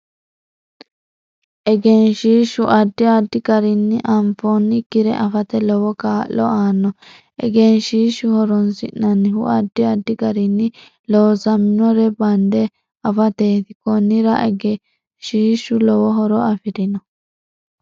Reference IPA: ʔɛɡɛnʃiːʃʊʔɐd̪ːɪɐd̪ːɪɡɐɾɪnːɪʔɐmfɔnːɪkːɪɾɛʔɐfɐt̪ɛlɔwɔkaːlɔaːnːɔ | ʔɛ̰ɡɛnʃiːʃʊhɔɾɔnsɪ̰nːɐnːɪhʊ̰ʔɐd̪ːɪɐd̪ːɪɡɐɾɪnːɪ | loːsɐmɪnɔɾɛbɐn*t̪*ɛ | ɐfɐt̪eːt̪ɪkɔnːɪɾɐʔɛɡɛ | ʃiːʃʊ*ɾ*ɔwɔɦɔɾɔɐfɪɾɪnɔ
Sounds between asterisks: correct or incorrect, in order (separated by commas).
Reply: incorrect, incorrect